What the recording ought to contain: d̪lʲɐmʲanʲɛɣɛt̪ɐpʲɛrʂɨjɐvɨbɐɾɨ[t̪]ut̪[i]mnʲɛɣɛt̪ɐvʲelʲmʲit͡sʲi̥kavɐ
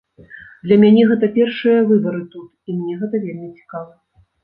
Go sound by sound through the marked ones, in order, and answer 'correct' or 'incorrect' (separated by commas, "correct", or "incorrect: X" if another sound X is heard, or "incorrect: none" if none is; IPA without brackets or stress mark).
correct, correct